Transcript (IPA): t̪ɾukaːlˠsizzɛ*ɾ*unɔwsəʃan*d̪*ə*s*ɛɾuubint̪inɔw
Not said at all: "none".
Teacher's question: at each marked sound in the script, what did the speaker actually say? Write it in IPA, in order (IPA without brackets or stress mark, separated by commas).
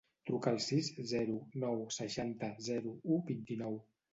ɾ, t̪, z